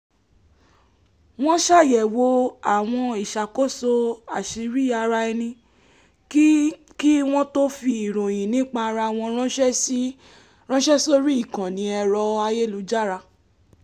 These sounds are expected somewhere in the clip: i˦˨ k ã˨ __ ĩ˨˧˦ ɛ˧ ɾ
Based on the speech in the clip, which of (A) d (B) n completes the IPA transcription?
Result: B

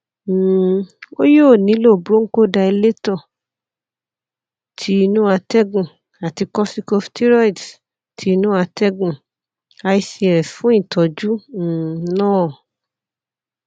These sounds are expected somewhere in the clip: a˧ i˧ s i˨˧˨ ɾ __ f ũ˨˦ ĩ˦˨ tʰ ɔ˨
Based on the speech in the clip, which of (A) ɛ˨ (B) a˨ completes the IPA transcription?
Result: A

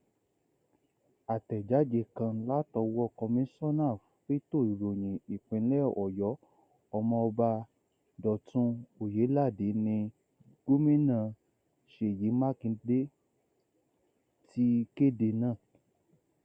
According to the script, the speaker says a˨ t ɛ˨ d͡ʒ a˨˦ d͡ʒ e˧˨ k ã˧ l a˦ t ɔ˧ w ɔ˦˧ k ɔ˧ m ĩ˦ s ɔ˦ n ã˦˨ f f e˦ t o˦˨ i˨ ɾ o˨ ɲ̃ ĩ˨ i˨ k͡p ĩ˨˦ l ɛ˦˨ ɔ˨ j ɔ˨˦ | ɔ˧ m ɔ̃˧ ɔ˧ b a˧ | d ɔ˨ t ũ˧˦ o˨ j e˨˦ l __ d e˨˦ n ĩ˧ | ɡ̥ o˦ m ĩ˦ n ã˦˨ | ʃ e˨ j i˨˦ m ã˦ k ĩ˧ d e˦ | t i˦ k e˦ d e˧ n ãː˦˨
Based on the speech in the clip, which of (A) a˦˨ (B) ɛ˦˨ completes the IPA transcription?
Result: A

